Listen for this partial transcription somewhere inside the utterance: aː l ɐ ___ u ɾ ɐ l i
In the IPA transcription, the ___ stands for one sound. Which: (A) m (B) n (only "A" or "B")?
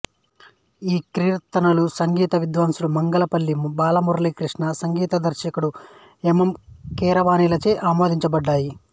A